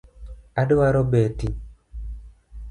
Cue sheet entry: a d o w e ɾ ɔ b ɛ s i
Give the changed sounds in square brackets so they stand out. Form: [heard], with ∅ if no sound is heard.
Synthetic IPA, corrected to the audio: a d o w [a] ɾ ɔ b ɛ [t] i